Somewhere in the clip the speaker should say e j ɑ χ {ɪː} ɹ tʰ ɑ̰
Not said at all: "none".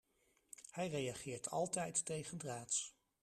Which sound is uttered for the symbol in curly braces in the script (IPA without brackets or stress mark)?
ɪː